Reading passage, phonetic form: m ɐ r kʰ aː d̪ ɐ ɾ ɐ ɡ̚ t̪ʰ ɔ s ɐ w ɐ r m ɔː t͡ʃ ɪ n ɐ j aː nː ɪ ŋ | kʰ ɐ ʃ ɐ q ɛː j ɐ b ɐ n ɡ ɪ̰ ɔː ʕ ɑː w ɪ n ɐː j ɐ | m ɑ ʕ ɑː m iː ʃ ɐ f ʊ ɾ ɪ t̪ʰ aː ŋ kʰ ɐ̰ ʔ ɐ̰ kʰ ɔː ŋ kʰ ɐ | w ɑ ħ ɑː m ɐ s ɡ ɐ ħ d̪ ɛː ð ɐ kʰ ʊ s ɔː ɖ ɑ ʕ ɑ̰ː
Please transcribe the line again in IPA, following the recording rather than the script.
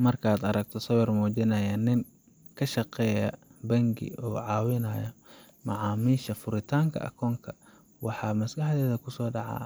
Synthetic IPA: m ɐ r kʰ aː d̪ ɐ ɾ ɐ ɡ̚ t̪ʰ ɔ s ɐ w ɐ r m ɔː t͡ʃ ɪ n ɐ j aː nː ɪ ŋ | kʰ ɐ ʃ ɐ q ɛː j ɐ b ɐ ŋ ɡ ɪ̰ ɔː ʕ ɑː w ɪ n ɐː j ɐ | m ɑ ʕ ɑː m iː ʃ ɐ f ʊ ɾ ɪ t̪ʰ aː ŋ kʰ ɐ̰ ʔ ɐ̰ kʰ ɔː ŋ kʰ ɐ | w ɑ ħ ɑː m ɐ s ɡ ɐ ħ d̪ ɛː ð ɐ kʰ ʊ s ɔː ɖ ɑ ʕ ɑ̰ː

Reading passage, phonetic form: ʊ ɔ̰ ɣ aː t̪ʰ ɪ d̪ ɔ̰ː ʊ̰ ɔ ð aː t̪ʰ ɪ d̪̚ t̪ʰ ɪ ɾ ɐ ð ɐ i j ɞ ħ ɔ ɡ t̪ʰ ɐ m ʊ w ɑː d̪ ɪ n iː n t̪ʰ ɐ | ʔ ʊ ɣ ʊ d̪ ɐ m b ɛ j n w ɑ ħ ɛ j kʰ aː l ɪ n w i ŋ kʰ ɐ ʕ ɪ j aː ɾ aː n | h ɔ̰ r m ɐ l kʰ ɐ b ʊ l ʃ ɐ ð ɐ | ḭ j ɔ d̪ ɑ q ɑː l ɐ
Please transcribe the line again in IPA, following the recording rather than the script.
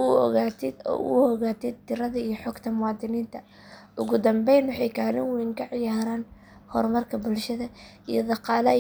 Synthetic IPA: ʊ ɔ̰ ɣ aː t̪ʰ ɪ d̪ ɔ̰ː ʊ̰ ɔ ɣ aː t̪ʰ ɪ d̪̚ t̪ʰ ɪ ɾ ɐ ð ɐ i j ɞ ħ ɔ ɡ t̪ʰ ɐ m ʊ w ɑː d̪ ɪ n iː n t̪ʰ ɐ | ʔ ʊ ɣ ʊ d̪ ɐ m b ɛ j n w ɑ ħ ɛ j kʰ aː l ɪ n w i ŋ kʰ ɐ ʕ ɪ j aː ɾ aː n | h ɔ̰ r m ɐ r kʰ ɐ b ʊ l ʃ ɐ ð ɐ | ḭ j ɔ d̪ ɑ q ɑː l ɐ

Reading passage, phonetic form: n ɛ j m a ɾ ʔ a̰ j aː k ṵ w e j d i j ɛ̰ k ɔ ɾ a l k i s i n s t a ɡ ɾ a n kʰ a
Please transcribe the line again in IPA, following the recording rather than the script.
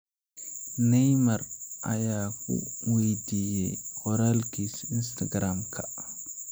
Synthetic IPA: n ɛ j m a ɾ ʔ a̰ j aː k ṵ w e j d i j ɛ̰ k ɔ ɾ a l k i s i n s t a ɡ ɾ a m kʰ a

